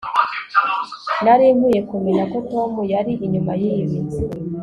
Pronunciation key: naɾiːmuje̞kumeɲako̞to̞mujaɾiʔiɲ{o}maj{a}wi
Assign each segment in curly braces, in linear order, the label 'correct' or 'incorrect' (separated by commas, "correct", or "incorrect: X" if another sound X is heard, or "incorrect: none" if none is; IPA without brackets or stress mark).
incorrect: u, incorrect: i